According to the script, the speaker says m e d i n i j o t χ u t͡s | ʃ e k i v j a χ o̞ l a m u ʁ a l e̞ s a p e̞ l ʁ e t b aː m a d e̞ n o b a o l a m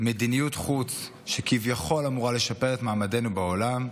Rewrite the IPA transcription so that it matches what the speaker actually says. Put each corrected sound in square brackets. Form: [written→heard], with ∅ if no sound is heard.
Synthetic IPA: m e d i n i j [o→u] t χ u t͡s | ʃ e k i v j a χ o̞ l a m u ʁ a l e̞ [s→ʃ] a p e̞ [l→∅] ʁ e t [b→m] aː m a d e̞ n [o→u] b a o l a m